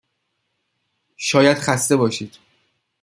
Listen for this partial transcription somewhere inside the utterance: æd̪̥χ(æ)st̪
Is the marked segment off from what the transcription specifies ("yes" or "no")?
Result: no